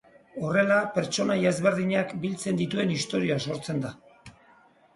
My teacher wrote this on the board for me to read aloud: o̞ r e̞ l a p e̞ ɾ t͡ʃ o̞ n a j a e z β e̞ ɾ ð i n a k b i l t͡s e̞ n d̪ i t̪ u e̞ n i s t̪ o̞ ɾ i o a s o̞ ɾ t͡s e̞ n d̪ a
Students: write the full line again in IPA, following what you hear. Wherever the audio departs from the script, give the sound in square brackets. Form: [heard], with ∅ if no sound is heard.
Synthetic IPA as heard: o̞ r e̞ l a p e̞ ɾ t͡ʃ o̞ n a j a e z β e̞ ɾ ð i [ɲ] a k b i l t͡s e̞ n d̪ i t̪ u e̞ n i s t̪ o̞ ɾ i o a s o̞ ɾ t͡s e̞ n d̪ a